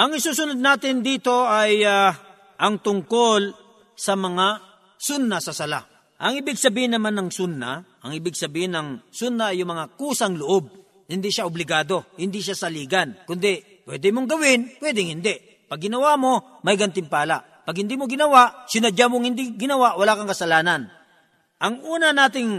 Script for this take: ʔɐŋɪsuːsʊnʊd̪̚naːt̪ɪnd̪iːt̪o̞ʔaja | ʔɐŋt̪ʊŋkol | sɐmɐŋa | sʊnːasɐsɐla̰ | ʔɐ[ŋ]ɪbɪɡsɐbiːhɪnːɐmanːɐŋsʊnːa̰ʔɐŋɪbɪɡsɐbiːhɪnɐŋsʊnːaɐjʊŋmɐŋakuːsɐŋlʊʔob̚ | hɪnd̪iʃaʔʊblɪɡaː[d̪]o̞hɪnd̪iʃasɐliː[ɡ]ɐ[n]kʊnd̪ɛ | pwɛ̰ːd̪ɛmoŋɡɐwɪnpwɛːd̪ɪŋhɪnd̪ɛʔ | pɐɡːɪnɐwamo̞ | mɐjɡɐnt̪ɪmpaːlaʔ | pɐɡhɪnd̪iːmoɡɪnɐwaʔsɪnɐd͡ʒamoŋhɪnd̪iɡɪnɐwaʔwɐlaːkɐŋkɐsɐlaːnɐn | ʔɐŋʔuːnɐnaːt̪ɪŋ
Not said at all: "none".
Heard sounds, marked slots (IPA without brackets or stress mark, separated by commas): ŋ, d̪, ɡ, n